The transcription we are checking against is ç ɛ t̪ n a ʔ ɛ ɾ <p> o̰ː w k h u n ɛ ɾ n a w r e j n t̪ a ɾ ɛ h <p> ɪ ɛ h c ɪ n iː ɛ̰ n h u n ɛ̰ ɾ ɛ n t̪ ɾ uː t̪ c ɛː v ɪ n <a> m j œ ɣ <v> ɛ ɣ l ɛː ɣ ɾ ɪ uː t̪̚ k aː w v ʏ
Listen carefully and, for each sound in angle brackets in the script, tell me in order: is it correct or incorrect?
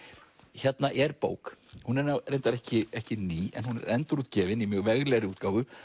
correct, incorrect, incorrect, correct

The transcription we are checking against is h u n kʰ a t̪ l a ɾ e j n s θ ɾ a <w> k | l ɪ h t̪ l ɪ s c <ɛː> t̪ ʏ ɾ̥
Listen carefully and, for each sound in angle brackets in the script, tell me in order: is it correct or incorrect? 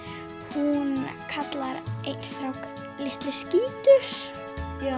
correct, incorrect

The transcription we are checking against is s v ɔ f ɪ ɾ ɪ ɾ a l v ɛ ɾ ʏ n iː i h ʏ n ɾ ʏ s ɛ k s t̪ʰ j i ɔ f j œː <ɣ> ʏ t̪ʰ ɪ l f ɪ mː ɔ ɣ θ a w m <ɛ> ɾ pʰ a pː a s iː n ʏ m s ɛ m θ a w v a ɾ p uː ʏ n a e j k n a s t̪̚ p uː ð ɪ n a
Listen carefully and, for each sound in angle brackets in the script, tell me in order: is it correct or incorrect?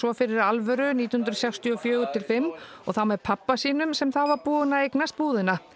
correct, correct

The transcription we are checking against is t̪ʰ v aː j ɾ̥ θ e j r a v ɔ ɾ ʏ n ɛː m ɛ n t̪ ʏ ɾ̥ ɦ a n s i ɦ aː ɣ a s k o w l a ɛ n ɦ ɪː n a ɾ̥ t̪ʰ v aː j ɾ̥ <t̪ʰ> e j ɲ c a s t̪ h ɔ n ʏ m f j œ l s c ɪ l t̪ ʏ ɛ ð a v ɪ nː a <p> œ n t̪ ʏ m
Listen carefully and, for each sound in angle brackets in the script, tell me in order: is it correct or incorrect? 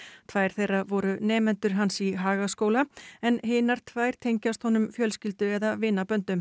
correct, correct

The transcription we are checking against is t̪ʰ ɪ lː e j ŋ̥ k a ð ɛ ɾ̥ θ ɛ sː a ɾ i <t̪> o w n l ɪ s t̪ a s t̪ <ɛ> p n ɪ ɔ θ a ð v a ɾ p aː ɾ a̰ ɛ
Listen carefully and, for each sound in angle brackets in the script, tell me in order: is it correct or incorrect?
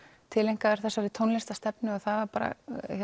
incorrect, correct

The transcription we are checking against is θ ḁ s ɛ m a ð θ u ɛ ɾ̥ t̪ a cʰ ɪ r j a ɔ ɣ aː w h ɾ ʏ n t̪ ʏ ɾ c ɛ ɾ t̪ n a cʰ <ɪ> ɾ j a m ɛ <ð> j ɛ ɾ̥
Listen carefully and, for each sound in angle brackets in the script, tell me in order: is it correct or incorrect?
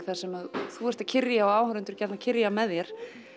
correct, correct

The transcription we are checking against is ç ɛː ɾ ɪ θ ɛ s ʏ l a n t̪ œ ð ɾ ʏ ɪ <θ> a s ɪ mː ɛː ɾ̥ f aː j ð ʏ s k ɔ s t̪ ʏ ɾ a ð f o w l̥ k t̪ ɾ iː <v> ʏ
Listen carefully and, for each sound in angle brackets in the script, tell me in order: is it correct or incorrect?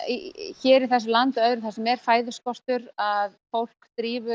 correct, correct

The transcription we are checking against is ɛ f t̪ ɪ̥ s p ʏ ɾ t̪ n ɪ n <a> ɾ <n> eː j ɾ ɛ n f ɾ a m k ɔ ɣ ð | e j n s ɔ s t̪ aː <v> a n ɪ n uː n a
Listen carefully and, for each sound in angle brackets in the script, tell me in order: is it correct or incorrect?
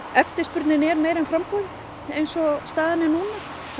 incorrect, incorrect, incorrect

